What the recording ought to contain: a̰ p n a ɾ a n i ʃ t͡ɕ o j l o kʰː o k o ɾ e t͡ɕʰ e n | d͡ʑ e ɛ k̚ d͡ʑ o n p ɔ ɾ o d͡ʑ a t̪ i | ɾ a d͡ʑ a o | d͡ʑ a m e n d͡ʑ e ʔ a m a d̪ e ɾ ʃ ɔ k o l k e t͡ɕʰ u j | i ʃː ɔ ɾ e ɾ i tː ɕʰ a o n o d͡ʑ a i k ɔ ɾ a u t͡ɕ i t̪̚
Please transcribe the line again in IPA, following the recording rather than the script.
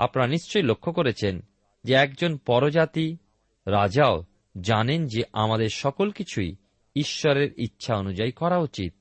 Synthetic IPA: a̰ p n a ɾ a n i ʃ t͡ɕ o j l o kʰː o k o ɾ e t͡ɕʰ e n | d͡ʑ e ɛ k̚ d͡ʑ o n p ɔ ɾ o d͡ʑ a t̪ i | ɾ a d͡ʑ a o | d͡ʑ a n e n d͡ʑ e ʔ a m a d̪ e ɾ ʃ ɔ k o l k i t͡ɕʰ u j | i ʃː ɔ ɾ e ɾ i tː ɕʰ a o n u d͡ʑ a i k ɔ ɾ a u t͡ɕ i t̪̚